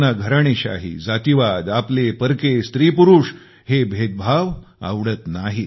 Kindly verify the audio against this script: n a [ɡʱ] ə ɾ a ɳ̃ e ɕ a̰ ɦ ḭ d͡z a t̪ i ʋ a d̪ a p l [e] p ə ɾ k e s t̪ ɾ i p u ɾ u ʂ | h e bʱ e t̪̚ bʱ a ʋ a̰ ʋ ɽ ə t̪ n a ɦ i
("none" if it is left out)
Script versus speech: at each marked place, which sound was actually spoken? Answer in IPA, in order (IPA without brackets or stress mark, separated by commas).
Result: ɡʱ, e